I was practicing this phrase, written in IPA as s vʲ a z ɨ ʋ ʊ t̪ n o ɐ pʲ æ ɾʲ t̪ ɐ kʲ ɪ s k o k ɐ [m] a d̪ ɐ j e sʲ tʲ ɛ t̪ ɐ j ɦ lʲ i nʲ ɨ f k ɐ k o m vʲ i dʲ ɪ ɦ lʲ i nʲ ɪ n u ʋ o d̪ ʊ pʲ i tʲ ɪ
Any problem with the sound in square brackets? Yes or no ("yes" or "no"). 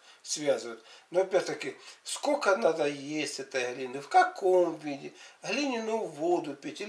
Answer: yes